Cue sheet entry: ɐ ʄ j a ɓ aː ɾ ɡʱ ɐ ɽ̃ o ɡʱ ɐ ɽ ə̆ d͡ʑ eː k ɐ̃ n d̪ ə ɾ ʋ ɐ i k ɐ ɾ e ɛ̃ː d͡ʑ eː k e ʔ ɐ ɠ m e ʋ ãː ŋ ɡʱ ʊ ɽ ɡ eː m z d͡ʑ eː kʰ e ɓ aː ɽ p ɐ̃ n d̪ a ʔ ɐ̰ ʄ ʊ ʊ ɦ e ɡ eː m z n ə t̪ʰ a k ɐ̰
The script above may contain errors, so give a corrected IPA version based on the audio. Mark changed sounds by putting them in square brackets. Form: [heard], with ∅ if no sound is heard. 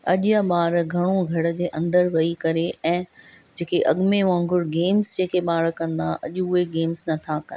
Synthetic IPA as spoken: ɐ ʄ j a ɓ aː ɾ ɡʱ ɐ ɽ̃ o ɡʱ ɐ ɽ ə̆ d͡ʑ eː [ʔ] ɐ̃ n d̪ ə ɾ ʋ ɐ i k ɐ ɾ e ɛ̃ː d͡ʑ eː k e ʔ ɐ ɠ m e ʋ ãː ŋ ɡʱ ʊ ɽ ɡ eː m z d͡ʑ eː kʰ e ɓ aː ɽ [k] ɐ̃ n d̪ a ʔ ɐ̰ ʄ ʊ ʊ ɦ e ɡ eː m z n [ɐ] t̪ʰ a k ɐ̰